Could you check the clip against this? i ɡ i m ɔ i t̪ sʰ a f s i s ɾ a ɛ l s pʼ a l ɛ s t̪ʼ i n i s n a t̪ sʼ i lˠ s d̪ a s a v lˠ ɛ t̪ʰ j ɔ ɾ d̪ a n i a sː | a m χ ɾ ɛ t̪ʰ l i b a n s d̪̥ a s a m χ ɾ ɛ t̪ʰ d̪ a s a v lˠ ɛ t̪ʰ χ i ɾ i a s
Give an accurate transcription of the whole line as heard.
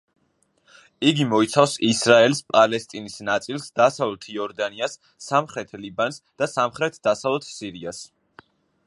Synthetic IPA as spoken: i ɡ i m ɔ i t̪ sʰ a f s i s ɾ a ɛ l s pʼ a l ɛ s t̪ʼ i n i s n a t̪ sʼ i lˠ s d̪ a s a v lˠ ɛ t̪ʰ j ɔ ɾ d̪ a n i a sː | a m χ ɾ ɛ t̪ʰ l i b a n s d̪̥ a s a m χ ɾ ɛ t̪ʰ d̪ a s a v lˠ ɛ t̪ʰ s i ɾ i a s